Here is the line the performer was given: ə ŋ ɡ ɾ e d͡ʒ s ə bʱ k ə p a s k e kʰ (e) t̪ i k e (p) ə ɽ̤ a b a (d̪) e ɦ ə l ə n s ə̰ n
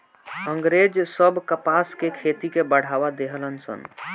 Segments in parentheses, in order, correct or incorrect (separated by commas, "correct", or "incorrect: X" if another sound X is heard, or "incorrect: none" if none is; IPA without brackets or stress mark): correct, incorrect: b, correct